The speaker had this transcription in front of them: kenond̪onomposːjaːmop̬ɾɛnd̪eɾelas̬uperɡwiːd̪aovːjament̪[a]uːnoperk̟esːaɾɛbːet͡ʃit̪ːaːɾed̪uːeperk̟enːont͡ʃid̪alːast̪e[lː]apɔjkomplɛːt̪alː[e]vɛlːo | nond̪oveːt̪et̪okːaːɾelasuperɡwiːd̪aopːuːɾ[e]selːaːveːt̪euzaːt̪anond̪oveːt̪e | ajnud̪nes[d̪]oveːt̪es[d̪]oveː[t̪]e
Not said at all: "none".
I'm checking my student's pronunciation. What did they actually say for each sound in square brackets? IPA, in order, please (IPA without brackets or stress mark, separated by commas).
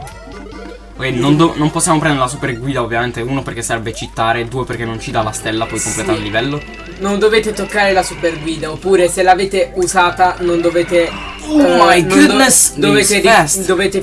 e, lː, i, e, d̪, d̪, t̪